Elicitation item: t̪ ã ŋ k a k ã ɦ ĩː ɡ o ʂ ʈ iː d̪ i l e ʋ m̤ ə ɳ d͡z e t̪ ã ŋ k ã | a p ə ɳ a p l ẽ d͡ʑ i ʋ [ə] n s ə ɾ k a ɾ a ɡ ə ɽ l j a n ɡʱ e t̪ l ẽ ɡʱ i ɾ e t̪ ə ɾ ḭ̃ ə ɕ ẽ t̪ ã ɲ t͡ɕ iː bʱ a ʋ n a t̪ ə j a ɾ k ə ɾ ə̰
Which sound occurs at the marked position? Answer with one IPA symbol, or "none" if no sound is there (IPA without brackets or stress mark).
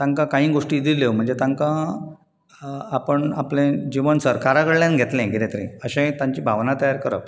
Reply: ə